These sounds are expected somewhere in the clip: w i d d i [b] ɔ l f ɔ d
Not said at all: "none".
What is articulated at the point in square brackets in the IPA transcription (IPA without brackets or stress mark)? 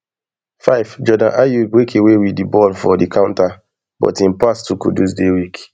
b